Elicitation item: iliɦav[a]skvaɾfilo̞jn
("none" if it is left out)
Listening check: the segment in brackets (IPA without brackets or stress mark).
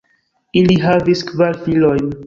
i